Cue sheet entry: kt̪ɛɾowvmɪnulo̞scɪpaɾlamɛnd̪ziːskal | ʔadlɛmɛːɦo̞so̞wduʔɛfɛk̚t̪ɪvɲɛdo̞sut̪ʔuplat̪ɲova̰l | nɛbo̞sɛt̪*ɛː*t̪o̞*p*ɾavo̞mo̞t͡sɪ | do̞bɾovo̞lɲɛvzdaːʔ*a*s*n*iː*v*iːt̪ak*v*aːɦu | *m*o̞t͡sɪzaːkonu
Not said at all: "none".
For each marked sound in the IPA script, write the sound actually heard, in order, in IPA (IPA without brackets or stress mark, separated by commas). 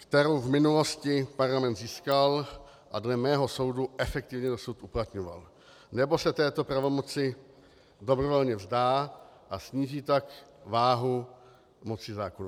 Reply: ɛː, p, a, ɲ, ʒ, v, m